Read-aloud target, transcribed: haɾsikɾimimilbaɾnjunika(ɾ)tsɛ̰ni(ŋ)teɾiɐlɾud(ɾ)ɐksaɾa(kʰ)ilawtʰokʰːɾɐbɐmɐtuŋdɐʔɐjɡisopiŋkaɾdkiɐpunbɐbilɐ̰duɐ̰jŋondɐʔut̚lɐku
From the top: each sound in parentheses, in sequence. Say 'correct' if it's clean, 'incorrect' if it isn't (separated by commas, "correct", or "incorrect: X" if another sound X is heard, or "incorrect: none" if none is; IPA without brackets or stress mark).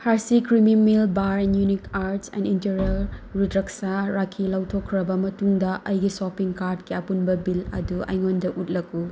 correct, incorrect: n, correct, correct